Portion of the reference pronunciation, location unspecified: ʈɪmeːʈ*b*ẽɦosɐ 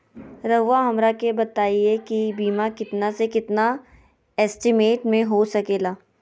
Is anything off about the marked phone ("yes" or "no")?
yes